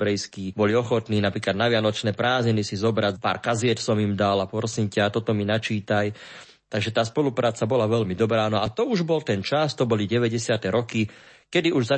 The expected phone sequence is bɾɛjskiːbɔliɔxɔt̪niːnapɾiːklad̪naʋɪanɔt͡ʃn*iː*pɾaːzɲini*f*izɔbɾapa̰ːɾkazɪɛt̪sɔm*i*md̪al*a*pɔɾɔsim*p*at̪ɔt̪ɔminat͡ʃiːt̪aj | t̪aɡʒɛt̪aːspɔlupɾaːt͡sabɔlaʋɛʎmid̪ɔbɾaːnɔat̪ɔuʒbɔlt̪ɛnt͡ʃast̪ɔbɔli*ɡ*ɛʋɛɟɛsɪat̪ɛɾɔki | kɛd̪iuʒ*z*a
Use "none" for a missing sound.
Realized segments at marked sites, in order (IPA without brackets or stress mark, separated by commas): ɛː, s, i, a, c, ɟ, z